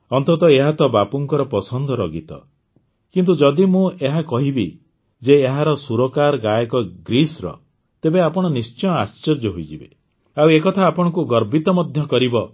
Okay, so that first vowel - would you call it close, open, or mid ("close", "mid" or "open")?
mid